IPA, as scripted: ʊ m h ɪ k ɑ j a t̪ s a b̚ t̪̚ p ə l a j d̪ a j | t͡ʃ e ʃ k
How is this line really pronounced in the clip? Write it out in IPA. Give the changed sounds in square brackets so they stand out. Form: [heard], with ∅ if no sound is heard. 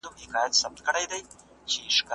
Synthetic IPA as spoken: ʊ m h ɪ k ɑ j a t̪ s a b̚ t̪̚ [k] ə [ɽ] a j d̪ a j | t͡ʃ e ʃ k